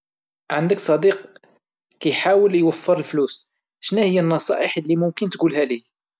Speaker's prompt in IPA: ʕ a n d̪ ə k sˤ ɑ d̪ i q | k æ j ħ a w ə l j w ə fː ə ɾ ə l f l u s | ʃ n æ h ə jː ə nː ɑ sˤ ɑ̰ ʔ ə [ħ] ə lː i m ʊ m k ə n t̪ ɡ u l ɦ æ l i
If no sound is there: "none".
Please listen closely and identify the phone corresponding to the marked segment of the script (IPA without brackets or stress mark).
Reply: ħ